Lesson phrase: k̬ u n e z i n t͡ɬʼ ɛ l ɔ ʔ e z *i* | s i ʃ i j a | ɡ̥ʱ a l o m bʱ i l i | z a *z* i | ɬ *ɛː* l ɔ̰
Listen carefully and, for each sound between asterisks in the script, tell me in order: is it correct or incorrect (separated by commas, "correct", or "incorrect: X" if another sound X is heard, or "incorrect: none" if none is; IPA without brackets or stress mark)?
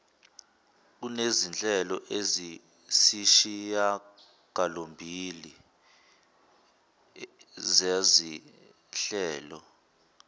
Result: correct, correct, correct